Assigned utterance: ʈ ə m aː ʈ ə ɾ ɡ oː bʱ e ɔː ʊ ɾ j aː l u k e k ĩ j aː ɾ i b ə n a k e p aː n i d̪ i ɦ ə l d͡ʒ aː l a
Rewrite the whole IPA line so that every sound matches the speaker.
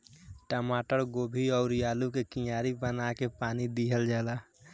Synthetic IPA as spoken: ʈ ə m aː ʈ ə ɾ ɡ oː bʱ i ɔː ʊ ɾ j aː l u k e k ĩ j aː ɾ i b ə n a k e p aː n i d̪ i ɦ ə l d͡ʒ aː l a